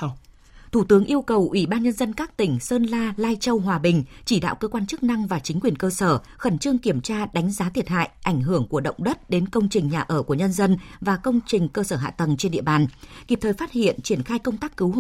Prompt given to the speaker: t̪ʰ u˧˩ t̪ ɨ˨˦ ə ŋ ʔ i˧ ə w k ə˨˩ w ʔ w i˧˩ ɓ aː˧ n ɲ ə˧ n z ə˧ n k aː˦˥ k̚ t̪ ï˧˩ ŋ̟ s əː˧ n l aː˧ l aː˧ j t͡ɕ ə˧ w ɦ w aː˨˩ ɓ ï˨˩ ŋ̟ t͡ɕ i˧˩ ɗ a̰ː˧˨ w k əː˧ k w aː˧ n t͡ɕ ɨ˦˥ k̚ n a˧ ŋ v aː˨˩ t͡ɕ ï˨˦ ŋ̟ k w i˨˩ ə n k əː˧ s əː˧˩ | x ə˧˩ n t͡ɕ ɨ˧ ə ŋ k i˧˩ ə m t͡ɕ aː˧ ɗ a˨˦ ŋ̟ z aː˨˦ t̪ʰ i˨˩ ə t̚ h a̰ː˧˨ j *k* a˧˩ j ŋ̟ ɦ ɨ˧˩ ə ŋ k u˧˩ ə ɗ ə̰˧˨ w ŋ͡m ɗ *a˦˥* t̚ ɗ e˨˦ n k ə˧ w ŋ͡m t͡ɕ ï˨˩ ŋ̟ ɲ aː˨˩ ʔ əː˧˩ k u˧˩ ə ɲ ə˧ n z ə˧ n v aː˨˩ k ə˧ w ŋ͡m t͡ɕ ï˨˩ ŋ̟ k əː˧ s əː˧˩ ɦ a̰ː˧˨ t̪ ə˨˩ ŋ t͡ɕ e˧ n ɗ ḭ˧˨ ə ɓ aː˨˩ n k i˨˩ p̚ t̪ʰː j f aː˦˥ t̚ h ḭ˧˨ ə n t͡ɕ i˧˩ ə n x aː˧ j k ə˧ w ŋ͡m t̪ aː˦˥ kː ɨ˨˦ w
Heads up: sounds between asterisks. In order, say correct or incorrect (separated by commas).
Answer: incorrect, incorrect